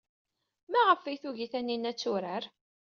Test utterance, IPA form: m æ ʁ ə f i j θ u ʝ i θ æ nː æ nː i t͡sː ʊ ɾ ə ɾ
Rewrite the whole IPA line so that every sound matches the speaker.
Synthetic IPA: m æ ʁ ə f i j θ u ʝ i θ æ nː i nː æ t͡sː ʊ ɾ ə ɾ